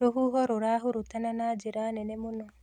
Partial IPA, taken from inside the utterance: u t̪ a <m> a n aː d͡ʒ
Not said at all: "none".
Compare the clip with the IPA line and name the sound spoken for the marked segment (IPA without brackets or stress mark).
n